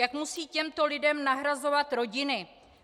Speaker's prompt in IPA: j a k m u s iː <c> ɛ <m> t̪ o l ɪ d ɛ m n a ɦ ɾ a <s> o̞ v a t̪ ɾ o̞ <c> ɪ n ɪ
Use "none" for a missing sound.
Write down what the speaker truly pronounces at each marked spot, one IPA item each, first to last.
c, m, z, ɟ

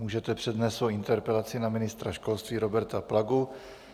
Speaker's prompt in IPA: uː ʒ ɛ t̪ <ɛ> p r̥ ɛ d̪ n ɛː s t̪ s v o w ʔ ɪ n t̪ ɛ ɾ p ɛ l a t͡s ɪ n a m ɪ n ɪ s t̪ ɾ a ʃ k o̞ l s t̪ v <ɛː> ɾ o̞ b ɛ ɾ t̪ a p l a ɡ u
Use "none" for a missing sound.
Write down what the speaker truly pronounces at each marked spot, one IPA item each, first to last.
ɛ, iː

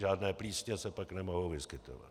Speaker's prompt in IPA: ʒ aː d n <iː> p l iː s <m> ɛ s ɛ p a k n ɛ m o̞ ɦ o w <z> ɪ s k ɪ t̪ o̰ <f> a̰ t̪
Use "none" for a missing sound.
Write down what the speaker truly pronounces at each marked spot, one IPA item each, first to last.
ɛː, ɲ, v, v

